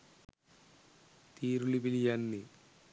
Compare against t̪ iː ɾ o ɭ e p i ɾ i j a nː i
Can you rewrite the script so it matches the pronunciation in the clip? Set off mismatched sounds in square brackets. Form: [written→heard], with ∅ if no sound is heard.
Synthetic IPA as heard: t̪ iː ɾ [o→u] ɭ [e→i] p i [ɾ→l] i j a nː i

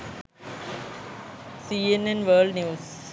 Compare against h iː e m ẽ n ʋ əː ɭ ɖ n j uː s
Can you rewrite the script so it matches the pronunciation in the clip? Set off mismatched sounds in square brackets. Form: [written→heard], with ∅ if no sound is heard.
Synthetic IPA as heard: [h→s] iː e [m→n] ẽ n ʋ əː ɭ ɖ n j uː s

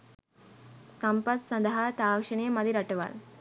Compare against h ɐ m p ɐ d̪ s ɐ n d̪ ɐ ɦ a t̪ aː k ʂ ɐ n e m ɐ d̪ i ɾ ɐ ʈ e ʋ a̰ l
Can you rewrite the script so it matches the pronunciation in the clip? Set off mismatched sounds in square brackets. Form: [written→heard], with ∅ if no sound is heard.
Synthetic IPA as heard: [h→s] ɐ m p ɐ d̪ s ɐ n d̪ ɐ ɦ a t̪ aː k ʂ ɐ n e m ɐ d̪ i ɾ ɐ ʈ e ʋ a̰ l

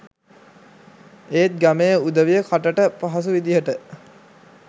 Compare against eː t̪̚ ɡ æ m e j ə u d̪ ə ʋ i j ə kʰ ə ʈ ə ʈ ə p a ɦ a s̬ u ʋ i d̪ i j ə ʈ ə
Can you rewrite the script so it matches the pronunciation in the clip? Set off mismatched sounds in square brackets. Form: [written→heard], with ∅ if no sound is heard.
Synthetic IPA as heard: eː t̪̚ ɡ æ m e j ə u d̪ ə ʋ i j ə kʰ [ə→a] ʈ ə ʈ ə p a ɦ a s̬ u ʋ i d̪ i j ə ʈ ə

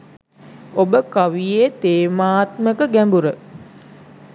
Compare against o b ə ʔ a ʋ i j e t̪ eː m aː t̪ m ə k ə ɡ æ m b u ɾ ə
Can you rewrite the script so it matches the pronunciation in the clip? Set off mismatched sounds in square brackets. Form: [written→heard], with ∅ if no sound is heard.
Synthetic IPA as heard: o b ə [ʔ→k] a ʋ i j e t̪ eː m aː t̪ m ə k ə ɡ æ m b u ɾ ə

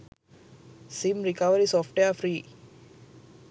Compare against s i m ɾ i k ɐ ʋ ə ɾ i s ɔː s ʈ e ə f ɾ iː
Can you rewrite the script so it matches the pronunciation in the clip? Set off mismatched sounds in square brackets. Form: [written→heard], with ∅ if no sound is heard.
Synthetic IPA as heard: s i m ɾ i k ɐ ʋ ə ɾ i s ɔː [s→f] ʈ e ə f ɾ iː

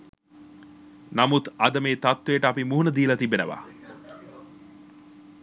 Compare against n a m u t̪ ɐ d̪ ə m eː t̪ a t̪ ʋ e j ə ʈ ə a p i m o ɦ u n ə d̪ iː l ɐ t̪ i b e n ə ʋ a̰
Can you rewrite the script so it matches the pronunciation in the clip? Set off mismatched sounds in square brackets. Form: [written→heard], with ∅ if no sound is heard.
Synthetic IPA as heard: n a m u t̪ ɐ d̪ ə m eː t̪ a t̪ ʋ e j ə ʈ ə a p i m [o→u] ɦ u n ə d̪ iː l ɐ t̪ i b e n ə ʋ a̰

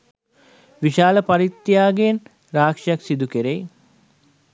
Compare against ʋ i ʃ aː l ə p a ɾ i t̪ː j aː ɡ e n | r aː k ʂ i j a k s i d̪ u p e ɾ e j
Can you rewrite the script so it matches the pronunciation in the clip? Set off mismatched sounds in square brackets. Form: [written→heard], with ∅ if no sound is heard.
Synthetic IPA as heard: ʋ i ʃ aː l ə p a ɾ i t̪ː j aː ɡ e n | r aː k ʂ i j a k s i d̪ u [p→k] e ɾ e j

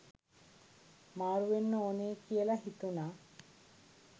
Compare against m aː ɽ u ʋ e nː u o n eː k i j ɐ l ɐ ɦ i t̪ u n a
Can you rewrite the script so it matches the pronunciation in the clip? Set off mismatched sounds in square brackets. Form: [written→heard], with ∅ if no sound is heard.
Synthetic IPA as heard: m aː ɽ u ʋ e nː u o n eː k i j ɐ l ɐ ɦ i t̪ u n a

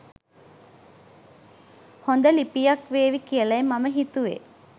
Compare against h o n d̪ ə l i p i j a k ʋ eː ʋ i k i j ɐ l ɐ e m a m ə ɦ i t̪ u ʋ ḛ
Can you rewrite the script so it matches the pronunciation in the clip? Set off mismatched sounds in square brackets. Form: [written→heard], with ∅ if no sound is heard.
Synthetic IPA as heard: h o n d̪ ə l i p i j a k ʋ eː ʋ i k i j [ɐ→ə] l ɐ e m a m ə ɦ i t̪ u ʋ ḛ

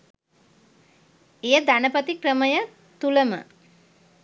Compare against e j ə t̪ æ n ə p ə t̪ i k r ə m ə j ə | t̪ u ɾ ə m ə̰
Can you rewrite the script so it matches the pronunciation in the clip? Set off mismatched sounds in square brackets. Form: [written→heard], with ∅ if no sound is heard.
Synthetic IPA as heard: e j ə [t̪→d̪] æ n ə p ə t̪ i k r ə m ə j ə | t̪ u [ɾ→l] ə m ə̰

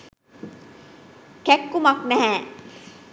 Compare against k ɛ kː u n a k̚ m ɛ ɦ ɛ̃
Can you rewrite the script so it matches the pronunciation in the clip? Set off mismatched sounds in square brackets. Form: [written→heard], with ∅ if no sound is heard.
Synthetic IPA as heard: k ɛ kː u [n→m] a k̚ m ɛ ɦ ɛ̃

